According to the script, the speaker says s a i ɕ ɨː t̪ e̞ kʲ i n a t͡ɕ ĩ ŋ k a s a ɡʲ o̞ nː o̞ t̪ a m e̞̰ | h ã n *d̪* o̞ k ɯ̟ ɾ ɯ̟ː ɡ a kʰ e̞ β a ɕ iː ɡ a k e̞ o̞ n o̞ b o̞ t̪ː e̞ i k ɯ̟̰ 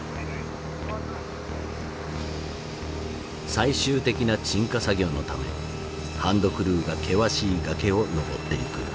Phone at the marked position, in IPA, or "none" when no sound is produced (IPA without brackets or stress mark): d̪